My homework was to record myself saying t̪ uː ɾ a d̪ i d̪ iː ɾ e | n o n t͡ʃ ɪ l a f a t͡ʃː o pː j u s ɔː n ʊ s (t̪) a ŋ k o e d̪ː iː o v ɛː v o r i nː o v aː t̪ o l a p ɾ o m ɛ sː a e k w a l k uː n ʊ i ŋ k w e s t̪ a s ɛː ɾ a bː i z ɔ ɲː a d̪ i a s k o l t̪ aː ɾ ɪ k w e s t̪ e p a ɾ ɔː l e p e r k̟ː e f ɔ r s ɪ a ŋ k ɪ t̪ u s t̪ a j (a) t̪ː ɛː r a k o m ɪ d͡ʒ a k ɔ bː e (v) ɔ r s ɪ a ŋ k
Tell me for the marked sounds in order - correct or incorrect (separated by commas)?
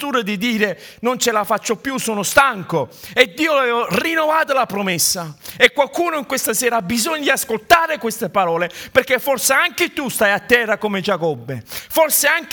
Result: correct, correct, incorrect